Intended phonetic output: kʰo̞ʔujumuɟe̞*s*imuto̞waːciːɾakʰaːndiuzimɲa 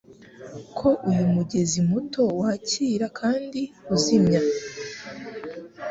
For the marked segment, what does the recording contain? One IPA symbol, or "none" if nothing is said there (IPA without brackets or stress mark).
z